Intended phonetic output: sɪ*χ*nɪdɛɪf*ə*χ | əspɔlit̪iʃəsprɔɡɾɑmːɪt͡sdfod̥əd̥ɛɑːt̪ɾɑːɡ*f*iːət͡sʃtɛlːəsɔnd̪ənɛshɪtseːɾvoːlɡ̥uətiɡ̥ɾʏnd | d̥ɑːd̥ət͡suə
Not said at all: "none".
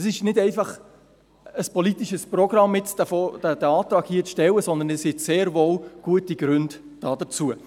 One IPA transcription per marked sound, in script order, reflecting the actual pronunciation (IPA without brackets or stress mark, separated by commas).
ʃ, ɑ, h